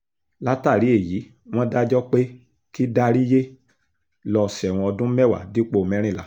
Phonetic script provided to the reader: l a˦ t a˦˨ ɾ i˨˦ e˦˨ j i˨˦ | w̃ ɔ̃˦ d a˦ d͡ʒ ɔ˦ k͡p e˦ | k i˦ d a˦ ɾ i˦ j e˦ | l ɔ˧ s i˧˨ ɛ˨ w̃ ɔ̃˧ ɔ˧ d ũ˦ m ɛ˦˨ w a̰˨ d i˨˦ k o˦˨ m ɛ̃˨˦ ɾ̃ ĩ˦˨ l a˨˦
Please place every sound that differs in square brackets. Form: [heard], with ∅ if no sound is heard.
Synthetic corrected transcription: l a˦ t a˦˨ ɾ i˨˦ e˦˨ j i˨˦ | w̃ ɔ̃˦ d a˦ d͡ʒ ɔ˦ k͡p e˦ | k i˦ d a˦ ɾ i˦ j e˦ | l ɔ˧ s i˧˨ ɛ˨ w̃ ɔ̃˧ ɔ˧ d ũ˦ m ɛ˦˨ w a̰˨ d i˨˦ [k͡p] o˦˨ m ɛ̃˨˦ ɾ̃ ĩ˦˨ l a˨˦